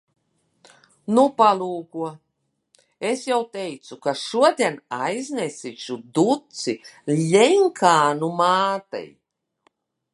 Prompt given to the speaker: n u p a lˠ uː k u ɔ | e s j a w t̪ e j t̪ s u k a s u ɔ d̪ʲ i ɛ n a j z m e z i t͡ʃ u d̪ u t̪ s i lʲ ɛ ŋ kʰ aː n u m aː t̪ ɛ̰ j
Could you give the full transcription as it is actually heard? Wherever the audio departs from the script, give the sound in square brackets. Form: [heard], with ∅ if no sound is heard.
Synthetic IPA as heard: n u p a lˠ uː k u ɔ | e s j a w t̪ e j t̪ s u k a [ʃ] u ɔ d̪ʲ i ɛ n a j z [n] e [s] i t͡ʃ u d̪ u t̪ s i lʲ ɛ ŋ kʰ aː n u m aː t̪ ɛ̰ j